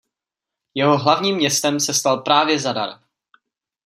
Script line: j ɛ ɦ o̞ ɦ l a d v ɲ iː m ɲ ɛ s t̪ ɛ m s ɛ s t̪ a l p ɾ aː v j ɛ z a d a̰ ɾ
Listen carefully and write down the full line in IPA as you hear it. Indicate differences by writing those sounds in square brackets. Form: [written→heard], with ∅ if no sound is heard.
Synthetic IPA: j ɛ ɦ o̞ ɦ l a [d→∅] v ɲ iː m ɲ ɛ s t̪ ɛ m s ɛ s t̪ a l p ɾ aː v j ɛ z a d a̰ ɾ